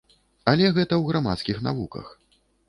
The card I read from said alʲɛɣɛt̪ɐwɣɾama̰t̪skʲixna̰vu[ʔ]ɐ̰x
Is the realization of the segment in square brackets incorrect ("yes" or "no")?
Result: yes